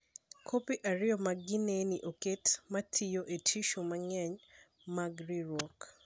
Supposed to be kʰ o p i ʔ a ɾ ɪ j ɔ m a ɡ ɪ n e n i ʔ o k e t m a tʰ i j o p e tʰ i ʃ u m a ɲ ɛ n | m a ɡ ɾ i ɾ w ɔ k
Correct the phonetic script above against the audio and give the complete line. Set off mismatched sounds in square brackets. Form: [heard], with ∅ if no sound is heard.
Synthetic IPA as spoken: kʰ o p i ʔ a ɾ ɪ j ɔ m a ɡ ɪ n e n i ʔ o k e t m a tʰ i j o [ʔ] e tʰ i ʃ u m a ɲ ɛ [ɲ] | m a ɡ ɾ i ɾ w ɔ k